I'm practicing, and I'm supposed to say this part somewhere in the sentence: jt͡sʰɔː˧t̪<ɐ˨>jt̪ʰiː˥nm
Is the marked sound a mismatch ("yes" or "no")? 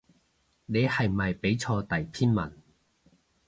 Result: no